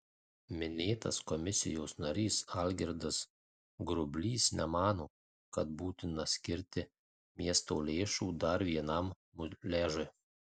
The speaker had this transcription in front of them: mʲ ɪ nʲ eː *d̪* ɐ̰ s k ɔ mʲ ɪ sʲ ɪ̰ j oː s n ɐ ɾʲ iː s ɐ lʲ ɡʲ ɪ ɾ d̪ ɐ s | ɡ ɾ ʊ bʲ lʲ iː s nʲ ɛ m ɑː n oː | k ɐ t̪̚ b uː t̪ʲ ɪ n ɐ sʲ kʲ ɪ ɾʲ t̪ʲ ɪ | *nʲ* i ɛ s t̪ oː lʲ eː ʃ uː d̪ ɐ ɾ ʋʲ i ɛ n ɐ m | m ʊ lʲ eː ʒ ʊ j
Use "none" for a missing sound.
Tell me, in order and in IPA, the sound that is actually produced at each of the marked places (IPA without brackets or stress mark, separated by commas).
t̪, mʲ